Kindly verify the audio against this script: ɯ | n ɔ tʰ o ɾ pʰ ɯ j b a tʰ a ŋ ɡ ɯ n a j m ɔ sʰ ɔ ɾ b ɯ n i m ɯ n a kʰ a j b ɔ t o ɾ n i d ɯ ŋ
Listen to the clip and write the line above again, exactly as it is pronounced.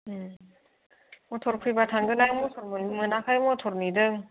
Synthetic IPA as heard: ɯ | m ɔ tʰ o ɾ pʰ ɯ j b a tʰ a ŋ ɡ ɯ n a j m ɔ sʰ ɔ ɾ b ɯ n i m ɯ n a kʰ a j m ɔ tʰ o ɾ n i d ɯ ŋ